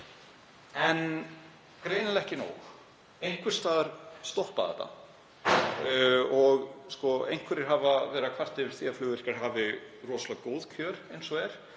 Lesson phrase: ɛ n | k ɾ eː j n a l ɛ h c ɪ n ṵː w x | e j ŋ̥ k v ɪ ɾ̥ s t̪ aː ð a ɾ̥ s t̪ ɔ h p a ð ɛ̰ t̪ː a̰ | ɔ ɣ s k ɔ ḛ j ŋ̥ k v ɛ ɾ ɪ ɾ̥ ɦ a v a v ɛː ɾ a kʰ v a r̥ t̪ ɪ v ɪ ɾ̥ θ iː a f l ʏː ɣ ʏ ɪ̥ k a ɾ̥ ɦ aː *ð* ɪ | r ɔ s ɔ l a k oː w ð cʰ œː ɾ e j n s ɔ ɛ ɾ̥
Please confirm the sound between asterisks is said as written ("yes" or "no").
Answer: no